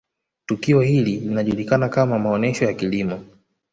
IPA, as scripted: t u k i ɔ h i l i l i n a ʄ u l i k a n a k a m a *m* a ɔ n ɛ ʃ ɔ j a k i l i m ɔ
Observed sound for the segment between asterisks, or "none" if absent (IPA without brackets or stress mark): m